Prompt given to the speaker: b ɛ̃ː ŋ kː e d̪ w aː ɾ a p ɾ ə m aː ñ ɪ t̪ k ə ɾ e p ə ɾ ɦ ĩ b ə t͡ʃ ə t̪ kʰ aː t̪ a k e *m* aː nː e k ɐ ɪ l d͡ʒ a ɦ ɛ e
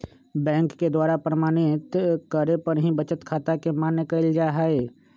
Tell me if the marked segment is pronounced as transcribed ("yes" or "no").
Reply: yes